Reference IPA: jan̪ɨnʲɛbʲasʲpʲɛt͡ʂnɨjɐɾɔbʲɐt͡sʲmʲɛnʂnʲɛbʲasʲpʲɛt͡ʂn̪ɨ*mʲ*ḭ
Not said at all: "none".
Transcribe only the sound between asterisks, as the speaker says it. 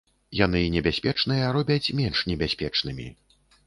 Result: mʲ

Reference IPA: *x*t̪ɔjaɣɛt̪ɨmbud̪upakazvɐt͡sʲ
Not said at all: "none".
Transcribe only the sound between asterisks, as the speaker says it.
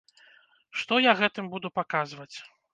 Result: ʂ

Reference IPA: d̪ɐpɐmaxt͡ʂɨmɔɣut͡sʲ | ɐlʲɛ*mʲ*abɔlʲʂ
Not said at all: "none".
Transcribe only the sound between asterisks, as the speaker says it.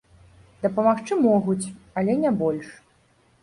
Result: nʲ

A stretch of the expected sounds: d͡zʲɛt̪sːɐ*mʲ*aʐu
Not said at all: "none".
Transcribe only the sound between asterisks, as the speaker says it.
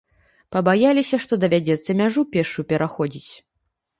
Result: mʲ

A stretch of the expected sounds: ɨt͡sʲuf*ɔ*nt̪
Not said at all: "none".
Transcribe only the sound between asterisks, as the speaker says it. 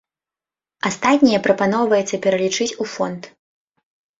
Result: ɔ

